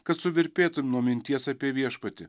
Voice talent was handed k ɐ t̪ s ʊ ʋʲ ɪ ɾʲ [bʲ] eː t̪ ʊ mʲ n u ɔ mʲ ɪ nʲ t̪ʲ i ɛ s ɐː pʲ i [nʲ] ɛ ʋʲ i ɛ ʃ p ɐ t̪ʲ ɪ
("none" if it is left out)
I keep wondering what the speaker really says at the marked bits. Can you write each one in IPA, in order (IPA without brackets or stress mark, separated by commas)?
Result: pʲ, none